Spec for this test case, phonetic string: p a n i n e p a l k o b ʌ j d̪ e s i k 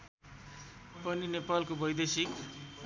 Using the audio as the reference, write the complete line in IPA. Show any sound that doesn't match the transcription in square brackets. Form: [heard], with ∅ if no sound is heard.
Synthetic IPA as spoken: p [ʌ] n i n e p a l k o b ʌ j d̪ e s i k

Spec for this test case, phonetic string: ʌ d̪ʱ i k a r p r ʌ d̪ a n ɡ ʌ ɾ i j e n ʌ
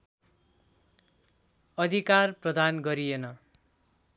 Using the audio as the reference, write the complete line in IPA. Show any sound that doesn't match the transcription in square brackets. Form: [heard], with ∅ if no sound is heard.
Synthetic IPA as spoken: ʌ d̪ʱ i k a r p r ʌ d̪ a n ɡ ʌ ɾ i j e n ʌ

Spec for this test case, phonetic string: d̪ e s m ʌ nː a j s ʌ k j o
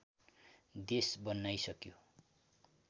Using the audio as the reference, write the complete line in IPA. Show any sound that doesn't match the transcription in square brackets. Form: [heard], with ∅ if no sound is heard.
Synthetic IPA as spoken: d̪ e s [b] ʌ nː a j s ʌ k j o

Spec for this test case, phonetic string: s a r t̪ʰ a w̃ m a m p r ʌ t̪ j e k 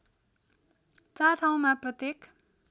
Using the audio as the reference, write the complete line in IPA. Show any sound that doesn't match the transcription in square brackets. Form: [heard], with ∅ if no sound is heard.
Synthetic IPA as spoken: [t͡s] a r t̪ʰ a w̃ m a [∅] p r ʌ t̪ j e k

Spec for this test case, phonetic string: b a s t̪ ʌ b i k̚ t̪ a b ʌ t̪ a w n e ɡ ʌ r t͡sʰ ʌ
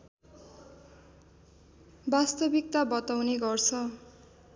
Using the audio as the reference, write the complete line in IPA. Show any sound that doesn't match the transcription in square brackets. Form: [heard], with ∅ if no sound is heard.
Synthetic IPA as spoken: b a s t̪ ʌ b i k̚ t̪ a b ʌ t̪ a w n e ɡ ʌ r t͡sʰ ʌ

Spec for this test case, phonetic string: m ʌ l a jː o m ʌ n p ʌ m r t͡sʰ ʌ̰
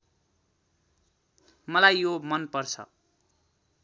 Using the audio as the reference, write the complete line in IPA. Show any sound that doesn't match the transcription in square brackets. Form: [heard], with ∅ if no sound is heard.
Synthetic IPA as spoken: m ʌ l a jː o m ʌ n p ʌ [∅] r t͡sʰ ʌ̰

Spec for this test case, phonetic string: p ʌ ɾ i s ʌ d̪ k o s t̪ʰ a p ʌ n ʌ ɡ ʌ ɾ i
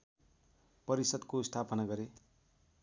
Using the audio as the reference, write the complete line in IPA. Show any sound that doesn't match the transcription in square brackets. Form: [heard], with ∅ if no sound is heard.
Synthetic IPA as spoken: p ʌ ɾ i s ʌ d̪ k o s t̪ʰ a p ʌ n [a] ɡ ʌ ɾ [e]

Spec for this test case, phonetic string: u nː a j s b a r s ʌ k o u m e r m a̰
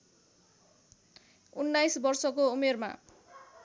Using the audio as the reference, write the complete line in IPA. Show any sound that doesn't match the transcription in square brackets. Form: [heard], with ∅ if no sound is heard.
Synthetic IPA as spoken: u nː a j s b [ʌ] r s ʌ k o u m e r m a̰

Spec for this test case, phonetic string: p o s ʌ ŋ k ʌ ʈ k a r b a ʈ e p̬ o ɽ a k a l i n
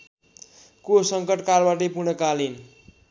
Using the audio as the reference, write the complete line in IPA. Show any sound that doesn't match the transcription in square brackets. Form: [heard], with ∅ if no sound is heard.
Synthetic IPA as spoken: [k] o s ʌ ŋ k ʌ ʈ k a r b a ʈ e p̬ [u] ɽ [ʌ] k a l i n

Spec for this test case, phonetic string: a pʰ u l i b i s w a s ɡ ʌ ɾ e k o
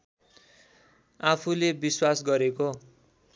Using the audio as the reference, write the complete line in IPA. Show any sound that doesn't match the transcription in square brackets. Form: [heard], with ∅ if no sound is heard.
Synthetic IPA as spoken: a pʰ u l [e] b i s w a s ɡ ʌ ɾ e k o

